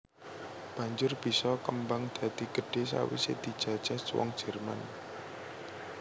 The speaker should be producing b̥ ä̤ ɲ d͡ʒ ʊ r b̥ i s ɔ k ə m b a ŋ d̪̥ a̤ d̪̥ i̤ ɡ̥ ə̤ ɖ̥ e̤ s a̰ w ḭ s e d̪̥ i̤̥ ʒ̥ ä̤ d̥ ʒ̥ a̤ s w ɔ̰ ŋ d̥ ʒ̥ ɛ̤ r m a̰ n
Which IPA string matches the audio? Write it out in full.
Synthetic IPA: b̥ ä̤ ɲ d͡ʒ ʊ r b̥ i s ɔ k ə m b a ŋ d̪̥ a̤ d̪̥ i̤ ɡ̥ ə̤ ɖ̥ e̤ s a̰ w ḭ s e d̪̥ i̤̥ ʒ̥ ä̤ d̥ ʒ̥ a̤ s w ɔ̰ ŋ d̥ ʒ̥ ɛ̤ r m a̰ n